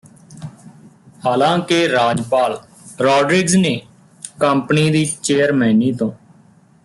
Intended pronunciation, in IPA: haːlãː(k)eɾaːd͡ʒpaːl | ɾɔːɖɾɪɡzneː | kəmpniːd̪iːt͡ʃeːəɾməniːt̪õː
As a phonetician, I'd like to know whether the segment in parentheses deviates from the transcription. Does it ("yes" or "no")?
no